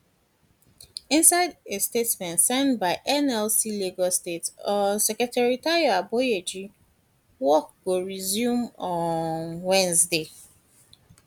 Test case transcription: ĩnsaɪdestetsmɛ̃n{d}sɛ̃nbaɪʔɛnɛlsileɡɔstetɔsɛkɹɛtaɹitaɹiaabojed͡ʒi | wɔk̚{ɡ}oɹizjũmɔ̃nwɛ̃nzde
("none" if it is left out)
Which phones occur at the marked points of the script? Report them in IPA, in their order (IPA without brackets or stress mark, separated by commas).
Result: t, ɡ